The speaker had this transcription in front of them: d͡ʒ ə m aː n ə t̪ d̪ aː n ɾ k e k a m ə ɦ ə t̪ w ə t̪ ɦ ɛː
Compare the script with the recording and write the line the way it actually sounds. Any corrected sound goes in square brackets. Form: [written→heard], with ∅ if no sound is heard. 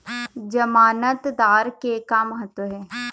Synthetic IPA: d͡ʒ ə m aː n ə t̪ d̪ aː [n→∅] ɾ k e k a m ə ɦ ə t̪ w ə [t̪→∅] ɦ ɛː